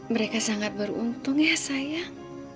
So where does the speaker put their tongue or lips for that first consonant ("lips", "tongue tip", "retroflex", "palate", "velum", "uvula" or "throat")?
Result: lips